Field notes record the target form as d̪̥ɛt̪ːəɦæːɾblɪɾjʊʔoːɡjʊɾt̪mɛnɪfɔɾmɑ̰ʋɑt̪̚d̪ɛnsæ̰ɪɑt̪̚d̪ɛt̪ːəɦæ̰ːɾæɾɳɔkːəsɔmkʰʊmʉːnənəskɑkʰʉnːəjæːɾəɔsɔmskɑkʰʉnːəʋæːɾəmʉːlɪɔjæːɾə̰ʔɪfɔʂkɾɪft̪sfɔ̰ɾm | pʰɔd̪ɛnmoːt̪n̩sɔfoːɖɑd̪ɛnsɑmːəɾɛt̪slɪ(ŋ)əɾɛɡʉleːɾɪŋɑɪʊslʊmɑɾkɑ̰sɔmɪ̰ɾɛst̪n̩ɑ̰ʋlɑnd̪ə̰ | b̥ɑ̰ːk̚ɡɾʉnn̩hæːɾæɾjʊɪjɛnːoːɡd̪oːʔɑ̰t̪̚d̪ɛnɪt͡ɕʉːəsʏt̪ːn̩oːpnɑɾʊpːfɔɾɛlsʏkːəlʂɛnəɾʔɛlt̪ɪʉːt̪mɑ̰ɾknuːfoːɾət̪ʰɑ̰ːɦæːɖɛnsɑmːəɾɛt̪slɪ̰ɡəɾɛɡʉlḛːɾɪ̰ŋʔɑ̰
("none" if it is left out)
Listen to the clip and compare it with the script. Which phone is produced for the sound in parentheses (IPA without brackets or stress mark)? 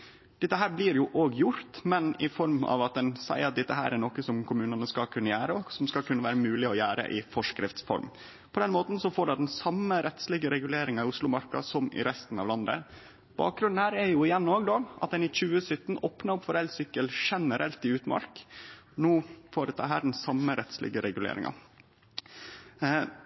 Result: ɡ